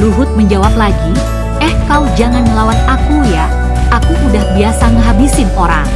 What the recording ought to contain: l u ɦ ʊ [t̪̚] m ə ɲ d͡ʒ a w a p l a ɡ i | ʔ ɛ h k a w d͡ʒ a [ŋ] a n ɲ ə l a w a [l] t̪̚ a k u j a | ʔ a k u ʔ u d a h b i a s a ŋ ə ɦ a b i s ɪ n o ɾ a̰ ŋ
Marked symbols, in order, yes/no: yes, yes, no

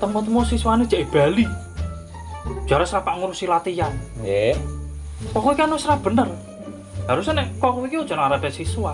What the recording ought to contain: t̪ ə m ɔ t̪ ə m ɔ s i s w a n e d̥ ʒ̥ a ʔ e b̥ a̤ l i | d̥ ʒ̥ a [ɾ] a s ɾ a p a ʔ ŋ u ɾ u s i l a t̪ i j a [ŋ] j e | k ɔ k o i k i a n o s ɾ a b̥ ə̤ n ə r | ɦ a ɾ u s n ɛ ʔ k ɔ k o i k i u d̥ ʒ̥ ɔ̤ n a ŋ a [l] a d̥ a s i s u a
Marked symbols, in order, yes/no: yes, no, no

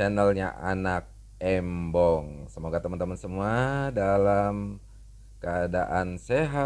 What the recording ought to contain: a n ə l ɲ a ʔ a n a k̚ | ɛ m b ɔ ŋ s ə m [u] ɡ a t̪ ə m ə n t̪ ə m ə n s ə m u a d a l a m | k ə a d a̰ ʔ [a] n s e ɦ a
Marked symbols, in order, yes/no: no, yes

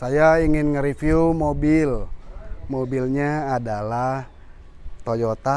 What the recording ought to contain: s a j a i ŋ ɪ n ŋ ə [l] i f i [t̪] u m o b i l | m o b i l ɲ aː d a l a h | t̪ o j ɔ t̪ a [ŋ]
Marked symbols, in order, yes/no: no, no, no

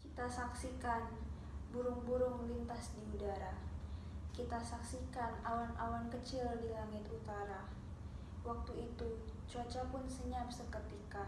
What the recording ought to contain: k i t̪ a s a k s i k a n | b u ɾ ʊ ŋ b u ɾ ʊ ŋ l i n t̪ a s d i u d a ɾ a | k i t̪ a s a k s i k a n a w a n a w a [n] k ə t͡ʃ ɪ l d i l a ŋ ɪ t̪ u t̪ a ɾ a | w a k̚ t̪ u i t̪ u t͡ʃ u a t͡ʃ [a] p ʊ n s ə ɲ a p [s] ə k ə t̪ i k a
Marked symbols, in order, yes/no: yes, yes, yes

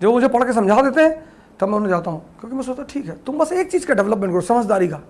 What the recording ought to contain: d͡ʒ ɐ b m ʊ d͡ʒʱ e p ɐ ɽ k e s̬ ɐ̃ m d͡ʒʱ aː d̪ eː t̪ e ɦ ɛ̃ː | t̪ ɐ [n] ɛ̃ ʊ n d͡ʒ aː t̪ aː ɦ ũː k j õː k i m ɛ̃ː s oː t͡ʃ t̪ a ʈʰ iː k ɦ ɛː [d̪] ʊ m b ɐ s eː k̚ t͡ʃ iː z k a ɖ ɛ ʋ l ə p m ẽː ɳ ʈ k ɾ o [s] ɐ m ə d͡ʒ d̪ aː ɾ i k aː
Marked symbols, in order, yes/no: no, no, yes

